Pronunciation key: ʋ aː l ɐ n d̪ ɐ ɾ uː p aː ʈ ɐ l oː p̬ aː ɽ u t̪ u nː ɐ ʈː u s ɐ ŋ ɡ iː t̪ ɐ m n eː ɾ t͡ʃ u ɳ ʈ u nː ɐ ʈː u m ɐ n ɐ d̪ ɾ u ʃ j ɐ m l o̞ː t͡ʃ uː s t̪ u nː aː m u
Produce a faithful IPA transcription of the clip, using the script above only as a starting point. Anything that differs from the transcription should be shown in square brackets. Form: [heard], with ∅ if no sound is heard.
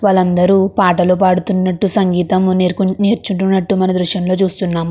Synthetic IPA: ʋ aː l ɐ n d̪ ɐ ɾ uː p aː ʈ ɐ l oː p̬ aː ɽ u t̪ u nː ɐ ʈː u s ɐ ŋ ɡ iː t̪ ɐ m n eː ɾ t͡ʃ u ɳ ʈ u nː ɐ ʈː u m ɐ n ɐ d̪ ɾ u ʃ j ɐ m l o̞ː t͡ʃ uː s t̪ u nː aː m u